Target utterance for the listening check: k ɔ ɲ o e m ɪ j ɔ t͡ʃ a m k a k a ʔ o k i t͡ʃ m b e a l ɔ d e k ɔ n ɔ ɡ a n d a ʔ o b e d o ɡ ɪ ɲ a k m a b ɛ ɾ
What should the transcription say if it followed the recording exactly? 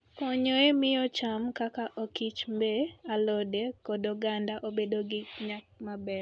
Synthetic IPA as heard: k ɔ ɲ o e m ɪ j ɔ t͡ʃ a m k a k a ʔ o k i t͡ʃ m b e a l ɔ d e k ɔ d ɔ ɡ a n d a ʔ o b e d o ɡ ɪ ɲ a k m a b ɛ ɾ